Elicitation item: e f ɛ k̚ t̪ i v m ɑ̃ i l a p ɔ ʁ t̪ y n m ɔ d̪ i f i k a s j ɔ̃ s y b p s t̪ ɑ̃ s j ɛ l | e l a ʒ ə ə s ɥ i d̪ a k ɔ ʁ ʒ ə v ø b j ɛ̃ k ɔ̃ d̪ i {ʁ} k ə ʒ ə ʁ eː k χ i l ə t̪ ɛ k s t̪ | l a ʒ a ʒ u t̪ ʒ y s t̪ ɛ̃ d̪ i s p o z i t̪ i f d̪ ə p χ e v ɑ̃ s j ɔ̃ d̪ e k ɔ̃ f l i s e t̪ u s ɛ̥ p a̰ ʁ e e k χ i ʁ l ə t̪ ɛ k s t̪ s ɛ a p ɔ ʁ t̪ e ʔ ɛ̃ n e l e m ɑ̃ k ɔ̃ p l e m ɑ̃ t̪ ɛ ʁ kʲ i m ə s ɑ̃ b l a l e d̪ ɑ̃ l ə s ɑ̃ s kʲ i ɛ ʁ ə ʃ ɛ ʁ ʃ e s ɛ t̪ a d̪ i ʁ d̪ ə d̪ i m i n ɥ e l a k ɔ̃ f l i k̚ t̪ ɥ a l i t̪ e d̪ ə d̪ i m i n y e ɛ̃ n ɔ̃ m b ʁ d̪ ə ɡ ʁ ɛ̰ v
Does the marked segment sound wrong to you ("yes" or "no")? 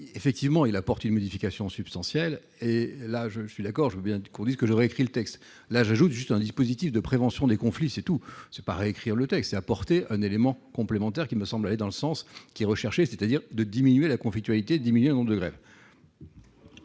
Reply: yes